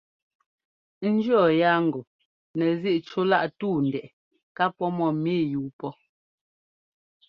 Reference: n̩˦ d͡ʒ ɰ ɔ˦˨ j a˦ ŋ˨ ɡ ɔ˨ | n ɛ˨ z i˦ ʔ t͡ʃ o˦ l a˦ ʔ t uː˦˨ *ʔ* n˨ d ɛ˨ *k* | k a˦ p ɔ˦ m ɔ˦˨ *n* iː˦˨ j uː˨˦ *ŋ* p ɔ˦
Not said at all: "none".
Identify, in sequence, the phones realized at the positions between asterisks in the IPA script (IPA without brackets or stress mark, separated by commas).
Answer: none, ʔ, m, none